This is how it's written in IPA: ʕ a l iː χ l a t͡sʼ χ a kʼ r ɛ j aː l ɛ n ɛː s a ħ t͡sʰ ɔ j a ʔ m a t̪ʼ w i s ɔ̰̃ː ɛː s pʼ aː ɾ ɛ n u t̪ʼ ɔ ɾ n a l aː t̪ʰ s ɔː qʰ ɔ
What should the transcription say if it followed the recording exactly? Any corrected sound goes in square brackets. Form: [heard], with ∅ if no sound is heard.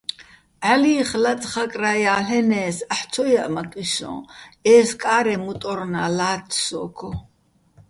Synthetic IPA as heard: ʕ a l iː χ l a t͡sʼ χ a kʼ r [a] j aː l ɛ n ɛː s a ħ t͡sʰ ɔ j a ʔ m a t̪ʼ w i s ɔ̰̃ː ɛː s [kʼ] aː ɾ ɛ [m] u t̪ʼ ɔ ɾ n a l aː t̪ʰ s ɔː [kʰ] ɔ